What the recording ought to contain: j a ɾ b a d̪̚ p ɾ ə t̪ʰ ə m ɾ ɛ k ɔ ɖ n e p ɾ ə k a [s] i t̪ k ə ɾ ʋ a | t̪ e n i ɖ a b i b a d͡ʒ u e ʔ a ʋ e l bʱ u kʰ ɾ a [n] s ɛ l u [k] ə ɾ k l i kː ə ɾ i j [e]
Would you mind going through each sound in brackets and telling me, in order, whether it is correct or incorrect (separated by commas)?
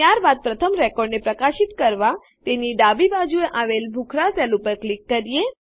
incorrect, incorrect, incorrect, correct